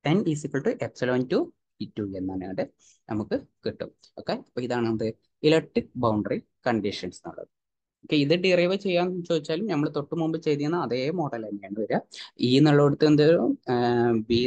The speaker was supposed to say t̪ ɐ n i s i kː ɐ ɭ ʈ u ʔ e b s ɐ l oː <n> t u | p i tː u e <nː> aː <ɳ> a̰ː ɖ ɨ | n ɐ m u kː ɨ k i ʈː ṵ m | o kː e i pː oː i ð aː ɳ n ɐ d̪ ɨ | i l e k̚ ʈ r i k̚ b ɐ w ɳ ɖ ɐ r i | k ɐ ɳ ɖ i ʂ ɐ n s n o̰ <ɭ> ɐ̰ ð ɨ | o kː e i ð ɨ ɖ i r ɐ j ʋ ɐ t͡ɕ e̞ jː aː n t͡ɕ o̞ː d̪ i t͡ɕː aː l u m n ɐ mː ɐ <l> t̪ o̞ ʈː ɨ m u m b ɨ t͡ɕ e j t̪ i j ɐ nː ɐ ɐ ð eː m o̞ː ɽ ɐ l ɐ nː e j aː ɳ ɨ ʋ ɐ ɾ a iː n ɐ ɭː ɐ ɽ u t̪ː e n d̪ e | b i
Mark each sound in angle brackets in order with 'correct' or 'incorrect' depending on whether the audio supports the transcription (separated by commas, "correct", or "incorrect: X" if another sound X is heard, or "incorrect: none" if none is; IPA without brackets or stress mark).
correct, correct, incorrect: n, incorrect: ɭː, incorrect: ɭ